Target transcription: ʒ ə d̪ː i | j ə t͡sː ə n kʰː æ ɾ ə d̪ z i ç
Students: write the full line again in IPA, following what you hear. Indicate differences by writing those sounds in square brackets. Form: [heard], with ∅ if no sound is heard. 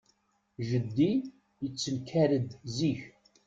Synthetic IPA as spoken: ʒ ə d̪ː i | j ə t͡sː ə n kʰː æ ɾ ə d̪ z i ç